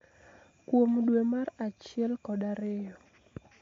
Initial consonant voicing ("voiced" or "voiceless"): voiceless